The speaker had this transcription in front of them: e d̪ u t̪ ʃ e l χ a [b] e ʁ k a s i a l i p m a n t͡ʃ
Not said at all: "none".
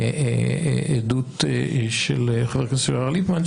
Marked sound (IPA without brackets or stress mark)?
v